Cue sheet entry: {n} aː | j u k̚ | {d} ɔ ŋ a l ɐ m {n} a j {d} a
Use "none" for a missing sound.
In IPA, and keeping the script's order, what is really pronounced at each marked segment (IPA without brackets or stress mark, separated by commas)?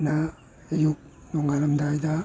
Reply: n, n, d, d